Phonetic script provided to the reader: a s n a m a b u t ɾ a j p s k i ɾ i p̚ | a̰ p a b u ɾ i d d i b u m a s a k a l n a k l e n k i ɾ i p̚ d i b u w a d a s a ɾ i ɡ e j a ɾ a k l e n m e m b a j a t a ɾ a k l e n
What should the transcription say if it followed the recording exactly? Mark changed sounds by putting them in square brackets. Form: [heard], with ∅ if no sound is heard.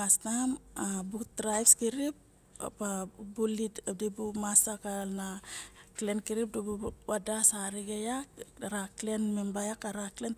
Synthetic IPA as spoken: a s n a m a b u t ɾ a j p s k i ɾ i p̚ | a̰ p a b u [l] i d d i b u m a s a k a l n a k l e n k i ɾ i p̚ d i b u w a d a s a ɾ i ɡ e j a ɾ a k l e n m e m b a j a [k] a ɾ a k l e n